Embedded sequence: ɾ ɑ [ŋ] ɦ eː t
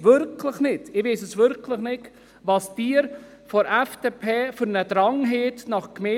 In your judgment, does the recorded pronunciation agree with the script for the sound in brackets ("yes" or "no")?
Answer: yes